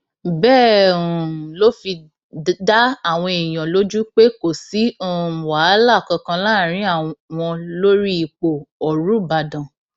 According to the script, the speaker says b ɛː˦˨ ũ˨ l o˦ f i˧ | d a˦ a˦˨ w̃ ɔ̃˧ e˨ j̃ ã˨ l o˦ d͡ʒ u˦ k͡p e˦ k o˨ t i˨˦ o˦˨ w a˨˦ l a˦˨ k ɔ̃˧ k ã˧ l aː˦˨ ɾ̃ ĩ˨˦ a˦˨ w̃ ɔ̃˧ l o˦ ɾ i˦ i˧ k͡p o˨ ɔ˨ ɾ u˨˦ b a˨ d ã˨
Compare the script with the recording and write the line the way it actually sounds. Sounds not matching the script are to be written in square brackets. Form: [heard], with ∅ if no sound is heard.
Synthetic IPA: b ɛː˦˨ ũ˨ l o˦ f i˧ | d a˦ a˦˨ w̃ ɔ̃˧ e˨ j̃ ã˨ l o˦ d͡ʒ u˦ k͡p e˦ k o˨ [s] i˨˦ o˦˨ w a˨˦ l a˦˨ k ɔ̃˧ k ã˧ l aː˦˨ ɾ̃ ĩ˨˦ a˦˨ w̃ ɔ̃˧ l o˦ ɾ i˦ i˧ k͡p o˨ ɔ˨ ɾ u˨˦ b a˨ d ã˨

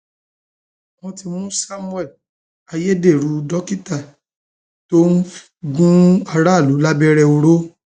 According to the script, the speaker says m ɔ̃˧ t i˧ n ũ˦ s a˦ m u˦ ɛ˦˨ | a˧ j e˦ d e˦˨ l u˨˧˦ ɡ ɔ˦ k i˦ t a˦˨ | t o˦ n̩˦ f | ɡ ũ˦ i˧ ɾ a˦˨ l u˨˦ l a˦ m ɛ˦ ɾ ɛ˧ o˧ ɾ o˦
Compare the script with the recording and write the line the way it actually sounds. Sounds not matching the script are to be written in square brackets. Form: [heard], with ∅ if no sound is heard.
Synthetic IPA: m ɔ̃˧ t i˧ [m] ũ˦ s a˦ m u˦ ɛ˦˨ | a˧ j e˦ d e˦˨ [ɾ] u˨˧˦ [d] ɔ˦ k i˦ t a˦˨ | t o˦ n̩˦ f | ɡ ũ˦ [a˧] ɾ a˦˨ l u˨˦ l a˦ [b] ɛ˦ ɾ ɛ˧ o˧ ɾ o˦

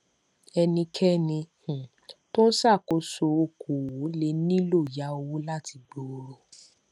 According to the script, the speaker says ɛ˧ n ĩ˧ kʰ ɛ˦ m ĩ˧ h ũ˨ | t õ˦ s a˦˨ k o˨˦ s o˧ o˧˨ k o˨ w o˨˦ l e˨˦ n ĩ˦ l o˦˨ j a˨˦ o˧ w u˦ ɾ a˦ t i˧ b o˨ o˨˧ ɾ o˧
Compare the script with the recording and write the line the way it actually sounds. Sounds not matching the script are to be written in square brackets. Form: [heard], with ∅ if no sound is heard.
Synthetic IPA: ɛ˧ n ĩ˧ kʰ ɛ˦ [n] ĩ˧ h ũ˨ | t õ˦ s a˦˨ k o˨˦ s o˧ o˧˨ k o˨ w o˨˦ l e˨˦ n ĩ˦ l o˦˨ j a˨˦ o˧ w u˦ [l] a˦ t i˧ [ɡ͡b] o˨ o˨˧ ɾ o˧

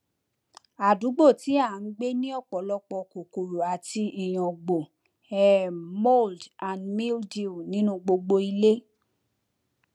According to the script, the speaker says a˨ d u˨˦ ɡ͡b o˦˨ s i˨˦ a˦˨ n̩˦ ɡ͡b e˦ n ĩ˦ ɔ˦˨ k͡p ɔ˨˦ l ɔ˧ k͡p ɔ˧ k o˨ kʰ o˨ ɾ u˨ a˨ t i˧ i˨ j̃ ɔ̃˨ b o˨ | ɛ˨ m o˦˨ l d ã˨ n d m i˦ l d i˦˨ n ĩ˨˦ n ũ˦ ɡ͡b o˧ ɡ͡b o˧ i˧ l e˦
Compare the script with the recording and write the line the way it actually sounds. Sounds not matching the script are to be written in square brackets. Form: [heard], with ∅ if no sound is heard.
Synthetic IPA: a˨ d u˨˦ ɡ͡b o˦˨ [t] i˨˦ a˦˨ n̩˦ ɡ͡b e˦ n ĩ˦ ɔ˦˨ k͡p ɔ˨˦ l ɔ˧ k͡p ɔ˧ k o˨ [k] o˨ ɾ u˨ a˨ t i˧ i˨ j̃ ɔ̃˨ [ɡ͡b] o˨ | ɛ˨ m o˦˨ l d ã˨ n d m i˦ l d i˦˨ n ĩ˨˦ n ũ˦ ɡ͡b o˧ ɡ͡b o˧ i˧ l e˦

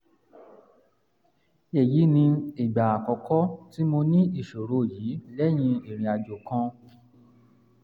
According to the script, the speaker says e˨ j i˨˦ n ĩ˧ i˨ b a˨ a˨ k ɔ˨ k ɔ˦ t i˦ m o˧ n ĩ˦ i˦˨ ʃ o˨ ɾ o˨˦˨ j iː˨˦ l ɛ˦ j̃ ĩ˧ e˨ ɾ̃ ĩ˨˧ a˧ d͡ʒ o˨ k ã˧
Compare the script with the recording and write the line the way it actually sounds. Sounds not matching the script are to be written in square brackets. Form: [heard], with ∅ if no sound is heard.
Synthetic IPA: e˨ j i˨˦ n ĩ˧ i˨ [ɡ͡b] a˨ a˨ k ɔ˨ k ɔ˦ t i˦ m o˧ n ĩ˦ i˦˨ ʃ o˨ ɾ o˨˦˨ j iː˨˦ l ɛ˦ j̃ ĩ˧ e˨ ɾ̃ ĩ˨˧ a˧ d͡ʒ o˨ k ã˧

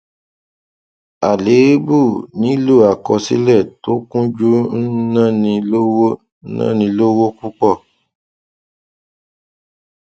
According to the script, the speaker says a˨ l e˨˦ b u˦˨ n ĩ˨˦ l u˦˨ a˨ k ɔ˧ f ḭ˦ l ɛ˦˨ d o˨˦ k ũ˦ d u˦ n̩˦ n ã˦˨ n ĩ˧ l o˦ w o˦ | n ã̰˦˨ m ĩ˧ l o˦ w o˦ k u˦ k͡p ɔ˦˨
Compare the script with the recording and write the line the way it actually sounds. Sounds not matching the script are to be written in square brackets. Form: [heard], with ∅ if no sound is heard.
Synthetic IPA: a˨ l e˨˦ b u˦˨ n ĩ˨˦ l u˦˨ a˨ k ɔ˧ [s] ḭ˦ l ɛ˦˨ [t] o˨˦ k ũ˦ [d͡ʒ] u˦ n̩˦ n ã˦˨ n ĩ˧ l o˦ w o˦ | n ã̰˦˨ [n] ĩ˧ l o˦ w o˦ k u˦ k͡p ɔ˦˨

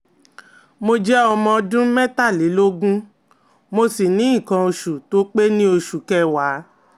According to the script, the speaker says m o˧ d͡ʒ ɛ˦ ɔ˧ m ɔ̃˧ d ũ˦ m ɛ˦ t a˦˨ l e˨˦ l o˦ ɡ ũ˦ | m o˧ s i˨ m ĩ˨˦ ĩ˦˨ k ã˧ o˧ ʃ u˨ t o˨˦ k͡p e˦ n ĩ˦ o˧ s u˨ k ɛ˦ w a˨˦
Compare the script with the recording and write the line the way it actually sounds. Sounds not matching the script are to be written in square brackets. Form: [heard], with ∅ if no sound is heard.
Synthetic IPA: m o˧ d͡ʒ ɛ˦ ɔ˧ m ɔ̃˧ d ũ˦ m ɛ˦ t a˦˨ l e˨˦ l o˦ ɡ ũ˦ | m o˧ s i˨ [n] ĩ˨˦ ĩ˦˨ k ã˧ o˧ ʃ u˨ t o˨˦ k͡p e˦ n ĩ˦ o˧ [ʃ] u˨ k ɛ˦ w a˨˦

